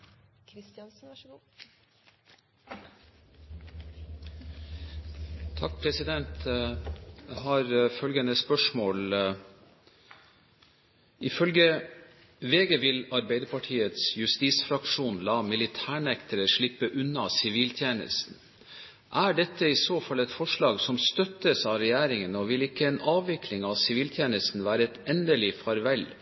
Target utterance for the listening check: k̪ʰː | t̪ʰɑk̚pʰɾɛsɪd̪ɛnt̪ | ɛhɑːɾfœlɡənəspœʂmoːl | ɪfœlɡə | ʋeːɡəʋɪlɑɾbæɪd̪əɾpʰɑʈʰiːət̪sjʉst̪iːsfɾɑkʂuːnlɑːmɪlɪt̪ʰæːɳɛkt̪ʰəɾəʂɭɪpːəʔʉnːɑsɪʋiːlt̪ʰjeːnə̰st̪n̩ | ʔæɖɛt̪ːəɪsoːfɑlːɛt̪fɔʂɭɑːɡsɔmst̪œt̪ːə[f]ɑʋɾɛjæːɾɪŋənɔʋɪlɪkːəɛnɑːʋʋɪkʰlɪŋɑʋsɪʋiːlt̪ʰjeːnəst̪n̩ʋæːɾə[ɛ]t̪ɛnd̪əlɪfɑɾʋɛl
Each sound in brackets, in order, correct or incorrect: incorrect, correct

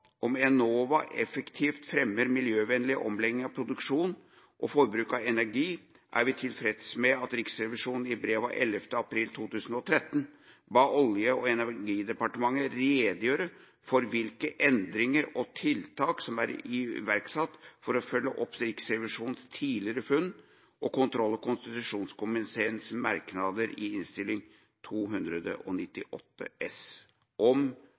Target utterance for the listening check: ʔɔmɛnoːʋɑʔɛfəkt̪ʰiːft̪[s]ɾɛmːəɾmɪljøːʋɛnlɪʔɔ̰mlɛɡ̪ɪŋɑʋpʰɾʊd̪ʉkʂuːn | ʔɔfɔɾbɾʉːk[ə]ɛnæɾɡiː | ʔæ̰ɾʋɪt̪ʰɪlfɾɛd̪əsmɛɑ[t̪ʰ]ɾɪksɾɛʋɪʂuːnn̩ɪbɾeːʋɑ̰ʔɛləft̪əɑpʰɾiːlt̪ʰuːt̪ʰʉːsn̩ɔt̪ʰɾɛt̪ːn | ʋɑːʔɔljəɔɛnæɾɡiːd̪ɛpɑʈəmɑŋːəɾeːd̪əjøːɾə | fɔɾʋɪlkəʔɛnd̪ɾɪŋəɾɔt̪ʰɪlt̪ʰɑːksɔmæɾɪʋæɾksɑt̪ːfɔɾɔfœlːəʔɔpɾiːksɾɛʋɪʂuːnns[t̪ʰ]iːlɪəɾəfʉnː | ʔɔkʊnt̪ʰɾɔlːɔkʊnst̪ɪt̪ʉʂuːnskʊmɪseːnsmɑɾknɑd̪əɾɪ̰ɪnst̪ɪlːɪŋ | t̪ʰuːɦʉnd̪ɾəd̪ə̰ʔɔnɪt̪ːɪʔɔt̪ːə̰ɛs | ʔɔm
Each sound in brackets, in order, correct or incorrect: incorrect, incorrect, incorrect, correct

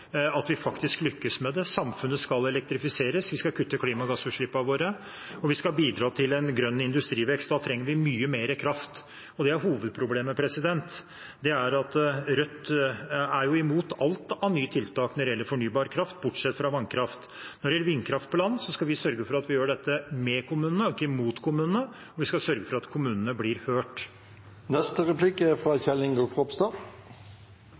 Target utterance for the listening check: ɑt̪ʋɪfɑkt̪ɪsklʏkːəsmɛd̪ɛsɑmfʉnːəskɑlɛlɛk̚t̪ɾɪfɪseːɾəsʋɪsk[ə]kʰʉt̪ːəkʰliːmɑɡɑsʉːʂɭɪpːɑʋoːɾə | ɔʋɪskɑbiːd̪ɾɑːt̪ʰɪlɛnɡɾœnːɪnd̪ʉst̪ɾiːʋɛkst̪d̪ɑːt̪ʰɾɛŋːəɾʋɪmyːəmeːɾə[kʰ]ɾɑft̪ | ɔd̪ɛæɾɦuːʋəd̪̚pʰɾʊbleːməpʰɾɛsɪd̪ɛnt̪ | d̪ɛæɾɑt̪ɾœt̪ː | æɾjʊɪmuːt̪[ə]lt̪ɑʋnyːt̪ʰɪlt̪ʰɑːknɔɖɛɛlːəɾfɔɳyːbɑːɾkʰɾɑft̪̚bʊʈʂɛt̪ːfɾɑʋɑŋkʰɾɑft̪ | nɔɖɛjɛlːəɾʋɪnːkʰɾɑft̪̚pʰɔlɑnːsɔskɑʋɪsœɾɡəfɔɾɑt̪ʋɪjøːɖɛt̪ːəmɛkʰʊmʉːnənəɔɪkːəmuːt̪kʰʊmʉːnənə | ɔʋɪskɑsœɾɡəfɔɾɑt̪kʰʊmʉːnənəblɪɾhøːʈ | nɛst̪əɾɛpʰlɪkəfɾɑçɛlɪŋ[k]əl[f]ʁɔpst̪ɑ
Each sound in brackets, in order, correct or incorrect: incorrect, correct, incorrect, incorrect, correct

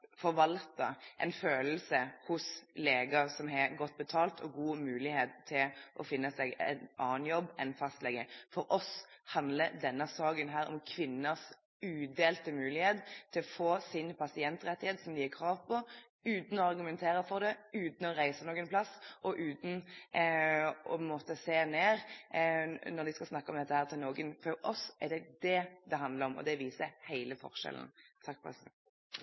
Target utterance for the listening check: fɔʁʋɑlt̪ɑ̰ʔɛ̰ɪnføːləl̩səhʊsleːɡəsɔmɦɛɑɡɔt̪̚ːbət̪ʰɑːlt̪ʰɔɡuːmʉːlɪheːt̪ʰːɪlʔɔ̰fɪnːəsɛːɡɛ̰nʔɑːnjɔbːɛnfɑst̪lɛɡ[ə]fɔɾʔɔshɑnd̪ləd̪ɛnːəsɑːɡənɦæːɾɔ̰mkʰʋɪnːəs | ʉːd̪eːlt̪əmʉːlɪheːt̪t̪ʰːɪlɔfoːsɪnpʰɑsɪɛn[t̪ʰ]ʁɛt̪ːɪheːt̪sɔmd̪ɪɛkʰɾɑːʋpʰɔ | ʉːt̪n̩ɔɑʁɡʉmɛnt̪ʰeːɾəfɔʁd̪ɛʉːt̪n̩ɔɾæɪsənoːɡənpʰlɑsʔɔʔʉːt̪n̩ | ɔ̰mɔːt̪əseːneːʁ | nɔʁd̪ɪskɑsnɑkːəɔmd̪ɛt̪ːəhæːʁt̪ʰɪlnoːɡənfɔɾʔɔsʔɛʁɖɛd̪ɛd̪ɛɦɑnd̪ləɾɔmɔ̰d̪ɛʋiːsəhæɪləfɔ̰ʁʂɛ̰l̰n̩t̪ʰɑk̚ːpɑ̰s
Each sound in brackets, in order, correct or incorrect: correct, incorrect

